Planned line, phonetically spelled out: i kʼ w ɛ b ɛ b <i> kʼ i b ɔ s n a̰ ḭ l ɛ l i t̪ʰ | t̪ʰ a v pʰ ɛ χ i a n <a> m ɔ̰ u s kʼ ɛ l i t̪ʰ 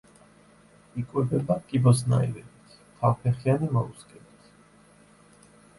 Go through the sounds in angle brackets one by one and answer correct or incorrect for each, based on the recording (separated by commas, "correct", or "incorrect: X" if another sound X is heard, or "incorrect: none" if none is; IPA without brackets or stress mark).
incorrect: a, incorrect: i